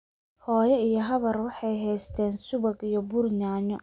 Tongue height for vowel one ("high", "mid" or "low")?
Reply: mid